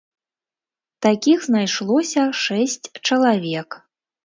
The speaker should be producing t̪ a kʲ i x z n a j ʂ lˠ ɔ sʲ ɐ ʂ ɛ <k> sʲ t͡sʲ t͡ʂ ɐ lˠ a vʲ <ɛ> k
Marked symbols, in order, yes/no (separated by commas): no, yes